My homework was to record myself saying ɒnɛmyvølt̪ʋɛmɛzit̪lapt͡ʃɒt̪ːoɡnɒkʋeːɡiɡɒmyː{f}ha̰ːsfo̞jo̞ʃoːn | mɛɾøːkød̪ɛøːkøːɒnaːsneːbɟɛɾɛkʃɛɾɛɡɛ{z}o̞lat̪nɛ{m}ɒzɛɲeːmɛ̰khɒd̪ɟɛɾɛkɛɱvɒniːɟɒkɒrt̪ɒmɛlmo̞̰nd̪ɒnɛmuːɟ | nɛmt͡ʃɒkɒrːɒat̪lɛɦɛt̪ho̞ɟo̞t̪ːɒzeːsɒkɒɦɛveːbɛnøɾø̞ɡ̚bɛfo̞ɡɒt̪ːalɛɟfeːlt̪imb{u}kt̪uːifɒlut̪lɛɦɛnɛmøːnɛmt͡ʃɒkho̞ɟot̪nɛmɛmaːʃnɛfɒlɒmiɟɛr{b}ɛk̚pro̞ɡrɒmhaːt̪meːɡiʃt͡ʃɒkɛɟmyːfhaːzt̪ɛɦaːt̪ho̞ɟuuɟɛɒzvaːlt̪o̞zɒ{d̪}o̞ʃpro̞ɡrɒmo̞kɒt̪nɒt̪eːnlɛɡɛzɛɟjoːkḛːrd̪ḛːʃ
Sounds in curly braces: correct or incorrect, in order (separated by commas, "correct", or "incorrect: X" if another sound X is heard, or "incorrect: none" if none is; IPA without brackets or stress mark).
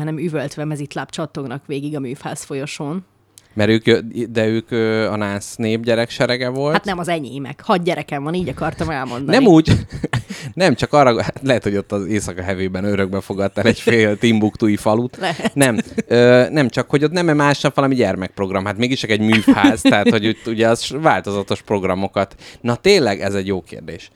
correct, incorrect: v, correct, correct, incorrect: m, incorrect: t̪